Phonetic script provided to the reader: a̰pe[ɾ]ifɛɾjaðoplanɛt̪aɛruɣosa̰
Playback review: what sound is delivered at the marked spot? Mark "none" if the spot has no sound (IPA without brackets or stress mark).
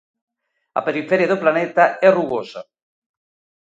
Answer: ɾ